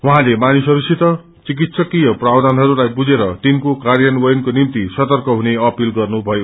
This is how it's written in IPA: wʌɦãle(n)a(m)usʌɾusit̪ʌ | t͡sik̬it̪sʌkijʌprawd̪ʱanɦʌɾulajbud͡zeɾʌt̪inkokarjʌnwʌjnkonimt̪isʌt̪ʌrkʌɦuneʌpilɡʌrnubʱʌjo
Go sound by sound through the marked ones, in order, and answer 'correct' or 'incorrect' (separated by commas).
incorrect, incorrect